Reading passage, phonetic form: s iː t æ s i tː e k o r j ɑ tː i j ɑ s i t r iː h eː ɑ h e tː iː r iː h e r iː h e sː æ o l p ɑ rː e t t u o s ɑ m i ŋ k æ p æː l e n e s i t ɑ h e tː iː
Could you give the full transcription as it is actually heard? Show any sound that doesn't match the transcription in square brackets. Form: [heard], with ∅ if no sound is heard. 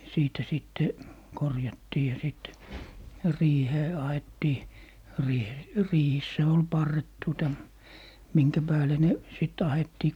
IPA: s iː t æ s i tː e k o r j ɑ tː [iː] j ɑ s i t r iː h eː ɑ h e tː iː r iː h e r iː h [i] sː æ o l p ɑ rː e t t u o [t] ɑ m i ŋ k æ p æː l e n e s i t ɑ h e tː iː